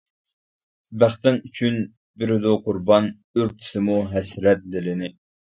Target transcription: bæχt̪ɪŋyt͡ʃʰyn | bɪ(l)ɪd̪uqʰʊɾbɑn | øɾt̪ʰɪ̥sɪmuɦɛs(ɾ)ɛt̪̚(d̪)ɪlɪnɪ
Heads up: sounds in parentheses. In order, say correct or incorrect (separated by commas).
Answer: incorrect, correct, correct